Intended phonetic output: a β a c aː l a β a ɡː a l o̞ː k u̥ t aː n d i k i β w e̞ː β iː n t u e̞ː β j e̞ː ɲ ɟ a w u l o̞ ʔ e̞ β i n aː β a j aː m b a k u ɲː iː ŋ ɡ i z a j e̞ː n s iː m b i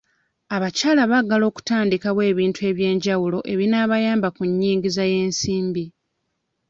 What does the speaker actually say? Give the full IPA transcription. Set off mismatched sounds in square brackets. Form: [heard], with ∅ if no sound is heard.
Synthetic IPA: a β a c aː l a β a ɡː a l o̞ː k u̥ t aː n d i k [a] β w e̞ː β iː n t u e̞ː β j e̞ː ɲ ɟ a w u l o̞ ʔ e̞ β i n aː β a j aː m b a k u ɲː iː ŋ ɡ i z a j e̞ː n s iː m b i